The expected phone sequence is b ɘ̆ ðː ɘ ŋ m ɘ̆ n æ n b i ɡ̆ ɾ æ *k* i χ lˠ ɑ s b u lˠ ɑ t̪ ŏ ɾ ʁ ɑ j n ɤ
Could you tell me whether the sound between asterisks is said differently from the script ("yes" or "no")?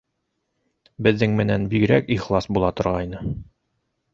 no